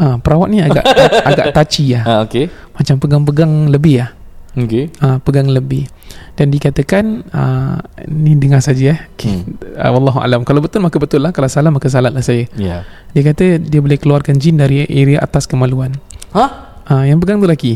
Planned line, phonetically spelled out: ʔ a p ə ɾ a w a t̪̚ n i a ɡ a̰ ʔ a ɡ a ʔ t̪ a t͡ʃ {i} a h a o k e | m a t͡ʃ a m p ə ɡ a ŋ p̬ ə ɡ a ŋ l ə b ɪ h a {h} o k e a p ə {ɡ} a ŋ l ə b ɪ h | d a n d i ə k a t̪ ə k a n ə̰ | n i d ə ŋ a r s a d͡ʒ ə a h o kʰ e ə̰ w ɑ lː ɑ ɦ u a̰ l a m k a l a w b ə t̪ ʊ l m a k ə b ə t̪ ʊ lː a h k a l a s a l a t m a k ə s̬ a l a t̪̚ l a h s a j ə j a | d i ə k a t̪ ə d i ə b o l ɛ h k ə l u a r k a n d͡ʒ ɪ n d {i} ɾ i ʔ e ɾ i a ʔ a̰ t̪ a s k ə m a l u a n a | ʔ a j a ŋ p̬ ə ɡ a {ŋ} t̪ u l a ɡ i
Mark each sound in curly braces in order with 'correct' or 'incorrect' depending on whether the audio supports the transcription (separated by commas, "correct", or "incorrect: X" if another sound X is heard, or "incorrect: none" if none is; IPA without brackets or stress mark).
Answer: correct, correct, correct, incorrect: a, correct